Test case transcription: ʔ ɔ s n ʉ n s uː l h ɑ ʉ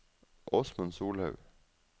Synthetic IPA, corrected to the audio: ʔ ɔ s m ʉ n s uː l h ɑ ʉ